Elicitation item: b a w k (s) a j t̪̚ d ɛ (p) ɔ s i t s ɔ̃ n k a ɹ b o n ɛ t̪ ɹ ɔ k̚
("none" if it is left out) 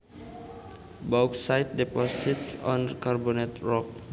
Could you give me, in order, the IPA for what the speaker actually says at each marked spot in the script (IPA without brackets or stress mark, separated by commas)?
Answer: s, p